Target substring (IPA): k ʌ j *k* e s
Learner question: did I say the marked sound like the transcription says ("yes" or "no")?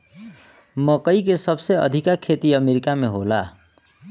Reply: yes